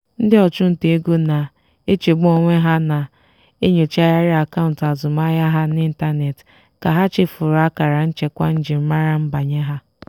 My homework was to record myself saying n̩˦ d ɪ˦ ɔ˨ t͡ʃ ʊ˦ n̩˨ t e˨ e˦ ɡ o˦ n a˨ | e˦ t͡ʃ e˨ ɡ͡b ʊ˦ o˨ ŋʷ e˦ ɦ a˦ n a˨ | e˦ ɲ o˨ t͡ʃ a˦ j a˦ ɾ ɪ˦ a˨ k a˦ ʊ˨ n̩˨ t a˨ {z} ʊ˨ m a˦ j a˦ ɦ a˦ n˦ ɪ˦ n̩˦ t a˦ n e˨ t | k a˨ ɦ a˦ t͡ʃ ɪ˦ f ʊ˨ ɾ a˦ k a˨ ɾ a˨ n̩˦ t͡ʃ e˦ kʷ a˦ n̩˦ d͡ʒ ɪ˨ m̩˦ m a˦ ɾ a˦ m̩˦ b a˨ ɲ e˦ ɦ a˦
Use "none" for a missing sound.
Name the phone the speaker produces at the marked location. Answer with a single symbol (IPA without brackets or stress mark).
z